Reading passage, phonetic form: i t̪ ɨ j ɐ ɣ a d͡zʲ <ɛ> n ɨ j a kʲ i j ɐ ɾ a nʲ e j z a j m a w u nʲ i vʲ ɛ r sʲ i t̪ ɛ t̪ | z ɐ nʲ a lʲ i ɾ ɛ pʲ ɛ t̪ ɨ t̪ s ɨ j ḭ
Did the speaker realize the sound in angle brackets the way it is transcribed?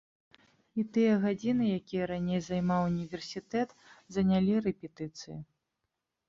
no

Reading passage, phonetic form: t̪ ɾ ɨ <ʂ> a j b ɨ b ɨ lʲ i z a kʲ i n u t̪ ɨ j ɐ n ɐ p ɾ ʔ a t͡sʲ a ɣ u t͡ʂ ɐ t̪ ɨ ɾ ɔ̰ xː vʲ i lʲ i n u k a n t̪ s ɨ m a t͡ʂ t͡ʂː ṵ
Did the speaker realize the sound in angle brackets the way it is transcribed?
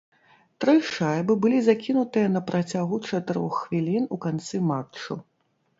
yes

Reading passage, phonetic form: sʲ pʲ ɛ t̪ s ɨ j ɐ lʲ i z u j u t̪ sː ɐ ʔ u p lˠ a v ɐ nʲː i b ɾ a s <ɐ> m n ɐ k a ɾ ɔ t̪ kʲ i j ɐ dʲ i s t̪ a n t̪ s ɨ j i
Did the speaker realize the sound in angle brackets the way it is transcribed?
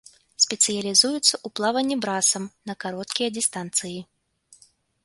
yes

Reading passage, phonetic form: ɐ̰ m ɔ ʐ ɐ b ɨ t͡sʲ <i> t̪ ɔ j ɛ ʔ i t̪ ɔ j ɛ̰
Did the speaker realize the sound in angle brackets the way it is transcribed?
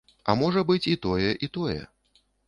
yes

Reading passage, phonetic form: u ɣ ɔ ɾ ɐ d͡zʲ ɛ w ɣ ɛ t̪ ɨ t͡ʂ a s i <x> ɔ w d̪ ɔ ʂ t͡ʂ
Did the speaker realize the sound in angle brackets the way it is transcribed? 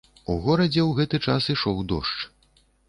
no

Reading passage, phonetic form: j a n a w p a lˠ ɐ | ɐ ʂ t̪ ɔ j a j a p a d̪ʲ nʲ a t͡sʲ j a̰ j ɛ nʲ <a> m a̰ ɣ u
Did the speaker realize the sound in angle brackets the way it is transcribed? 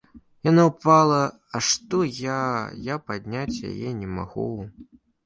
no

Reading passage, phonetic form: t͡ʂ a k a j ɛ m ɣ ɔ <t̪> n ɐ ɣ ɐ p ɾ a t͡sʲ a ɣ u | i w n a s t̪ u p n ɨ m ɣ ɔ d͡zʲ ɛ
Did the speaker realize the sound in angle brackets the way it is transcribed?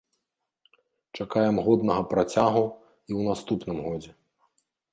no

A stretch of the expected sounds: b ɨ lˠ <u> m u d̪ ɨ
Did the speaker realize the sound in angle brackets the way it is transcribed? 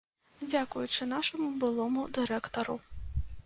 no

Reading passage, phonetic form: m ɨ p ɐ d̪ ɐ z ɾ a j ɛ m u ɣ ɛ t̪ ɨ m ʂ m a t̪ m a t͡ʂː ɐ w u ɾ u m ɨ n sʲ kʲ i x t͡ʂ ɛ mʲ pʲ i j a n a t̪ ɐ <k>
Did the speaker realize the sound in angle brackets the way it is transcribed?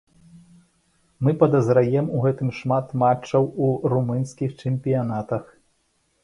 no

